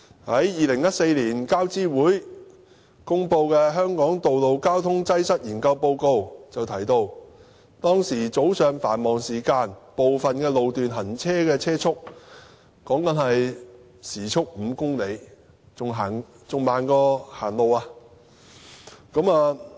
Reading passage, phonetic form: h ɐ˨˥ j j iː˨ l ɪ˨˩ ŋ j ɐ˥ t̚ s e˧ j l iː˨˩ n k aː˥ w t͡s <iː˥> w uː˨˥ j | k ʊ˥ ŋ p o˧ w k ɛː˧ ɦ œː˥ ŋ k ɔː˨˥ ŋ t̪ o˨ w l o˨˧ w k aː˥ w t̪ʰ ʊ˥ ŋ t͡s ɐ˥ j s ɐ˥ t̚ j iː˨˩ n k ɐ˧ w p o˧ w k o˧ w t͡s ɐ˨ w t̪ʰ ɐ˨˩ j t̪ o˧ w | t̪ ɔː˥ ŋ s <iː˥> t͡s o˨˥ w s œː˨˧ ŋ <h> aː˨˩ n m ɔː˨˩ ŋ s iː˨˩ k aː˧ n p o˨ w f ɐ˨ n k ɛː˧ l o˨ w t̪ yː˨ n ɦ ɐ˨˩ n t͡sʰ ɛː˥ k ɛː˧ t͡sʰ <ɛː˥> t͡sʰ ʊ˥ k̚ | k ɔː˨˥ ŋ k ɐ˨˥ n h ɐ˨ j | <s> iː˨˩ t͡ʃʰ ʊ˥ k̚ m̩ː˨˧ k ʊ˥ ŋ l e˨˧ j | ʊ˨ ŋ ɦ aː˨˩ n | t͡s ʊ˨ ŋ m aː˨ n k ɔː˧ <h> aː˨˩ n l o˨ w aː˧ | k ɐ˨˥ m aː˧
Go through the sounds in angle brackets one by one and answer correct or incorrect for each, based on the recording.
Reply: correct, incorrect, incorrect, correct, correct, correct

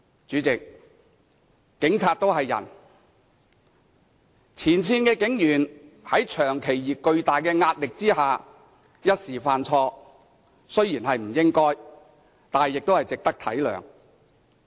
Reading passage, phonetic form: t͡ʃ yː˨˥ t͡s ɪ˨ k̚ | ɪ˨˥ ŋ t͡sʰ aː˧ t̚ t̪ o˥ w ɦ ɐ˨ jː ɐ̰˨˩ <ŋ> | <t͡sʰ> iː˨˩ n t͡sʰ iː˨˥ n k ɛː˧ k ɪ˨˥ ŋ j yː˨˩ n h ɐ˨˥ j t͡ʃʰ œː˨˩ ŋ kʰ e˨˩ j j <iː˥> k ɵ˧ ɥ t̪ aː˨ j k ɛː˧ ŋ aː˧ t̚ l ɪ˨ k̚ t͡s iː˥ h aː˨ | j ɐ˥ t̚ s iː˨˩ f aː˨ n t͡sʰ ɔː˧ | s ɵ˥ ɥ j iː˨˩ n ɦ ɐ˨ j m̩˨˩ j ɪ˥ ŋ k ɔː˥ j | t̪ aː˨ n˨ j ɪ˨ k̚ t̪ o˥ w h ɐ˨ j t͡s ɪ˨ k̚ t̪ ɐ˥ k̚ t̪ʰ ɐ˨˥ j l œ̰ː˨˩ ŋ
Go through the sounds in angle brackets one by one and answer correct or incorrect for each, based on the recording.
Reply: incorrect, correct, incorrect

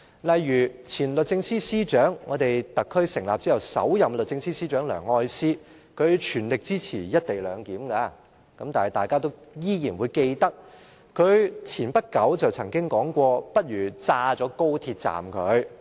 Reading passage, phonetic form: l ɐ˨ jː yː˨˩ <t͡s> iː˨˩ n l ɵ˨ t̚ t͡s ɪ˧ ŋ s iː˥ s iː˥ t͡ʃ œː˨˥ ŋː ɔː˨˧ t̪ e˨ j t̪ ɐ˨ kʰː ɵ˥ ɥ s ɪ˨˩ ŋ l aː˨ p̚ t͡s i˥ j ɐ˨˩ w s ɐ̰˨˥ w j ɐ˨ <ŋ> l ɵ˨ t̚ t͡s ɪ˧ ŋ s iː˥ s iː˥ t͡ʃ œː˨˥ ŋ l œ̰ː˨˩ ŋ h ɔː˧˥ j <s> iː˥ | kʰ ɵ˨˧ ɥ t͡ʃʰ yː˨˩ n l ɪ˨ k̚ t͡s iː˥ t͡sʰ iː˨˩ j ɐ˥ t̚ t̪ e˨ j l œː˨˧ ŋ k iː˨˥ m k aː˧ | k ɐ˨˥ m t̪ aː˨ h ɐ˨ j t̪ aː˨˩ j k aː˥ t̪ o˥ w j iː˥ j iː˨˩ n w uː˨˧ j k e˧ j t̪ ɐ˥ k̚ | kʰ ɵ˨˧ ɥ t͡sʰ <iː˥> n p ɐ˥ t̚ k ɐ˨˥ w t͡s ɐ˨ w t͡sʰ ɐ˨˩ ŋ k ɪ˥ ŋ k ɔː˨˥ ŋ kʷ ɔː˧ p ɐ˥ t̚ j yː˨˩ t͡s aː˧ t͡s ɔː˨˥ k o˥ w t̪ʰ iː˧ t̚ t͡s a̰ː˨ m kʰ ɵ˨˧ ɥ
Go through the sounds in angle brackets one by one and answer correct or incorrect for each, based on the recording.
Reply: incorrect, incorrect, correct, incorrect

